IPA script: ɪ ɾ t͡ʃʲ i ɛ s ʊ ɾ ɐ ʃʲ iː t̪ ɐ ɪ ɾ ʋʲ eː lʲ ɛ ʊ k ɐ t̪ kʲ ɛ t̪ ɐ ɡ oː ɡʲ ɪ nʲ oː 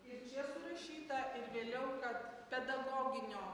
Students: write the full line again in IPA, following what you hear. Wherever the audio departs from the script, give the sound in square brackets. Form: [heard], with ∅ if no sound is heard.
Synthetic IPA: ɪ ɾ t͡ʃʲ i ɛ s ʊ ɾ ɐ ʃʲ iː t̪ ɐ ɪ ɾ ʋʲ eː lʲ ɛ ʊ k ɐ t̪ [pʲ] ɛ [d̪] ɐ ɡ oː ɡʲ ɪ nʲ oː